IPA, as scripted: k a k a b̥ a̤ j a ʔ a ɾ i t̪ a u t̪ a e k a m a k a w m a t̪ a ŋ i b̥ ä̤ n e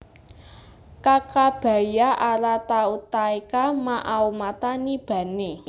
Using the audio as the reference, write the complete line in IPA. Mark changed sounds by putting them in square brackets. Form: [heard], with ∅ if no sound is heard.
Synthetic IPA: k a k a b̥ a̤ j a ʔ a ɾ [a] t̪ a u t̪ a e k a m a [ʔ] a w m a t̪ a [n] i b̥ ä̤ n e